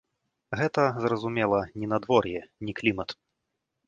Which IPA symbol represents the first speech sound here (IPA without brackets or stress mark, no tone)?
ɣ